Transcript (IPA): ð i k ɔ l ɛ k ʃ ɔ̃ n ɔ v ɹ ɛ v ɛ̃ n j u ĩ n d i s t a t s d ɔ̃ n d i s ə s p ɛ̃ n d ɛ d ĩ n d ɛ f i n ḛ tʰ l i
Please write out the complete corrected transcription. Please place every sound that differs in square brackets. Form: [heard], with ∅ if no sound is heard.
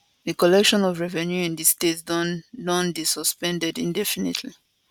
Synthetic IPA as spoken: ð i k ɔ l ɛ k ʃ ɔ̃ n ɔ v ɹ ɛ v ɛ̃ n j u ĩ n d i s t [e] t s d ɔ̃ n d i s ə s p ɛ̃ n d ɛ d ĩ n d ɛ f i n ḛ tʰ l i